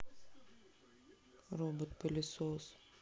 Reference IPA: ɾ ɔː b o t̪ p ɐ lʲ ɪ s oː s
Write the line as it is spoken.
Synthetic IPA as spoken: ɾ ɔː b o t̪ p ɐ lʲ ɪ s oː s